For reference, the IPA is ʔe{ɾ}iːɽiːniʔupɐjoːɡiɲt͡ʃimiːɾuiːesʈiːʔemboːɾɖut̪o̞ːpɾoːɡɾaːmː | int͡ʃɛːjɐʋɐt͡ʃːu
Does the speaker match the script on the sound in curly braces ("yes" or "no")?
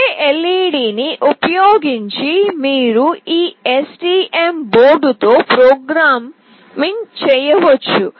no